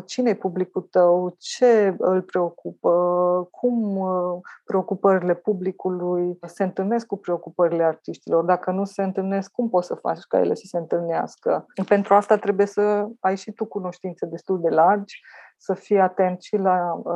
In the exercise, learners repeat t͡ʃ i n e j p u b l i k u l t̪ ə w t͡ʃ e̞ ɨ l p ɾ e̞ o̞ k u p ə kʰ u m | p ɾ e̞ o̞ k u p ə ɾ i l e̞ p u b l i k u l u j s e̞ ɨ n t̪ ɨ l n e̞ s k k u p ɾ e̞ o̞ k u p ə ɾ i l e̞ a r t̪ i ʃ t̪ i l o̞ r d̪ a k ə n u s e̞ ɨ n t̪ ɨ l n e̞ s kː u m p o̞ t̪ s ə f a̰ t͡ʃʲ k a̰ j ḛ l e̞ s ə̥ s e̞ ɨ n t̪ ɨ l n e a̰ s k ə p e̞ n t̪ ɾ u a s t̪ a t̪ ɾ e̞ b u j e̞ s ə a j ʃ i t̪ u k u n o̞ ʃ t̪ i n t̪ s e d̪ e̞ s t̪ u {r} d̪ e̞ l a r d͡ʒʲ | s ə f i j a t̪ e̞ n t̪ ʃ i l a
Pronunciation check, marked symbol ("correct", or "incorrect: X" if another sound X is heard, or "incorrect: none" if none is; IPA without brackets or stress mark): incorrect: l